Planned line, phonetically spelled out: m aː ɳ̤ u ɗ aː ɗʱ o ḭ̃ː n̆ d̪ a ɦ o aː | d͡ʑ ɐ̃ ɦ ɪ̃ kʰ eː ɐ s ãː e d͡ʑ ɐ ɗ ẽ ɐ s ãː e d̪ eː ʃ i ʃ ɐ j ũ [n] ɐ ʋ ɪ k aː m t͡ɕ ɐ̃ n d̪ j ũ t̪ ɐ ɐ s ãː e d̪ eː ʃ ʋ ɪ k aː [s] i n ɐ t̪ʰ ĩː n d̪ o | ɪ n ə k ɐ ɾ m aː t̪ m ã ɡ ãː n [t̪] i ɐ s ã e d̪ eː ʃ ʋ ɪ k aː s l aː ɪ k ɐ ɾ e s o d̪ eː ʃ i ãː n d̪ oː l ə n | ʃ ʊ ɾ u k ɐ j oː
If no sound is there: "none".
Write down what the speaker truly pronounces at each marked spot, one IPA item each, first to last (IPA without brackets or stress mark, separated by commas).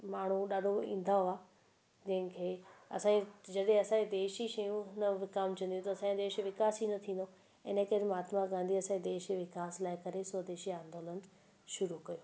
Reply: n, s, d̪